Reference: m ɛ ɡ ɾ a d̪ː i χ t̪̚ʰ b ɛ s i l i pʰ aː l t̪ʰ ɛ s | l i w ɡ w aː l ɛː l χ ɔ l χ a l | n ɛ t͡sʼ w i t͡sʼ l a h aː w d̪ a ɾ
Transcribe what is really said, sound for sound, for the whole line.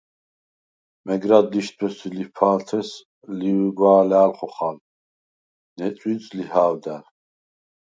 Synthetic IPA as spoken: m ɛ ɡ ɾ a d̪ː i ʃ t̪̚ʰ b ɛ s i l i pʰ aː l t̪ʰ ɛ s | l i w ɡ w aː l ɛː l χ ɔ χ a l | n ɛ t͡sʼ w i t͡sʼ l i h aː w d̪ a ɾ